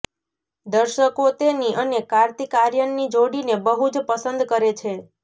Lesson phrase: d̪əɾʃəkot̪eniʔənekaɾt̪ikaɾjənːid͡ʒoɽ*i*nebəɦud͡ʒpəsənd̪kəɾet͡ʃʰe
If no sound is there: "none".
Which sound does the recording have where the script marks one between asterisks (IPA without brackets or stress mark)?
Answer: i